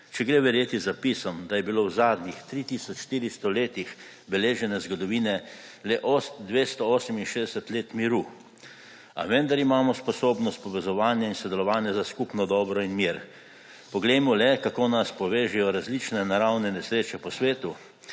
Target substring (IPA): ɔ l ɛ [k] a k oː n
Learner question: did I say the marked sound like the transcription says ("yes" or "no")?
yes